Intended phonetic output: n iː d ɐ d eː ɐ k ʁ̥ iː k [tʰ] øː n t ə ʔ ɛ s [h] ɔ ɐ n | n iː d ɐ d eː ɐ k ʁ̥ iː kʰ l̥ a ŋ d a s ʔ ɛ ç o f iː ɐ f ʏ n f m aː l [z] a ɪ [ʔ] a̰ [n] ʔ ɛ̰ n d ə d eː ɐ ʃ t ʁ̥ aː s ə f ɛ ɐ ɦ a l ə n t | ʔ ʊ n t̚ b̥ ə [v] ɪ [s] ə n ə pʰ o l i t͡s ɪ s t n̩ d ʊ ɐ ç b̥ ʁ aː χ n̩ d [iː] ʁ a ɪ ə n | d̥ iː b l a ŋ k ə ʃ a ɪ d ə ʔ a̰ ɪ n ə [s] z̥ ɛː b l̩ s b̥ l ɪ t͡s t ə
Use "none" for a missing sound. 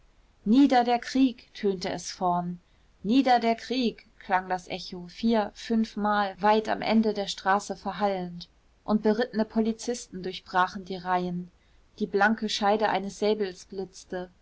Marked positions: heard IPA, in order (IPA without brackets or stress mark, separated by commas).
tʰ, f, v, t, m, ʁ, t, iː, s